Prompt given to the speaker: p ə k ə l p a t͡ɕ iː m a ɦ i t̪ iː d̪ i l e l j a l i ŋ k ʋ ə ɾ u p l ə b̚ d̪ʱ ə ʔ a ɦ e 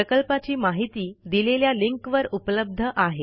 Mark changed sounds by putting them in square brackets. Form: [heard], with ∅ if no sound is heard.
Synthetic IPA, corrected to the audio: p ə k ə l p a t͡ɕ iː m a ɦ i t̪ iː d̪ i l e l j a l i ŋ k ʋ ə ɾ u p l ə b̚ d̪ʱ ə ʔ a ɦ e